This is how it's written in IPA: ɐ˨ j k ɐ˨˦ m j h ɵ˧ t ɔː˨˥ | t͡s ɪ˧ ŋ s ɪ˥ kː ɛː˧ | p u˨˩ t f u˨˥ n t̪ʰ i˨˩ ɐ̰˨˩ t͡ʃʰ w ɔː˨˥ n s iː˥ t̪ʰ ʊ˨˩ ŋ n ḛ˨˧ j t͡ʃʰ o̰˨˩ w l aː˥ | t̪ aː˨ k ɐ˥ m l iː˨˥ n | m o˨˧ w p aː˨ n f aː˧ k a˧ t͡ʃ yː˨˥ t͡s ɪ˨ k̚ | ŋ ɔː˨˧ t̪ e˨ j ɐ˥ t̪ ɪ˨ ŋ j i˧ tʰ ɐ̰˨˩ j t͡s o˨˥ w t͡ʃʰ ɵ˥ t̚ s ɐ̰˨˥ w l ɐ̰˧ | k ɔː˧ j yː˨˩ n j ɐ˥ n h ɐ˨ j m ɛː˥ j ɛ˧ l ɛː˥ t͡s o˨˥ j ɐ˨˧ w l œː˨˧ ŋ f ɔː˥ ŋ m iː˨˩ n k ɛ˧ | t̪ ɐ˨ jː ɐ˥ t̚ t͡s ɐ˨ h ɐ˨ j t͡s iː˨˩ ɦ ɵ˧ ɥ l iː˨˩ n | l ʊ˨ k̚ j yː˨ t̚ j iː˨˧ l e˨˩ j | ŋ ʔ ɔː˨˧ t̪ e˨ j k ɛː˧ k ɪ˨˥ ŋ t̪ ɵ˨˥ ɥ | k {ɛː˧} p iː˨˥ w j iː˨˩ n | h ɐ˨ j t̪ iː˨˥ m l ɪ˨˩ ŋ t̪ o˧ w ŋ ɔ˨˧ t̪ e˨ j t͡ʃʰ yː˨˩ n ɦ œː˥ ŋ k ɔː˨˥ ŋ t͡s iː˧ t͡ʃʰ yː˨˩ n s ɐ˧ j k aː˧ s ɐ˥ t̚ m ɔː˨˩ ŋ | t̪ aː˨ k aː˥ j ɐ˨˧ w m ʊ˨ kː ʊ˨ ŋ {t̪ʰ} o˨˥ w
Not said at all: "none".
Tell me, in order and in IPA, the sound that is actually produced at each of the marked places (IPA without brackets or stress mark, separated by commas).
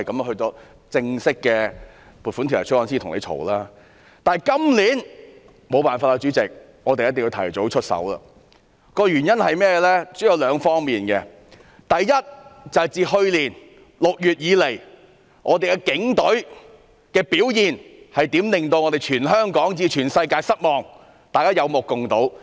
ɛː˧, t̪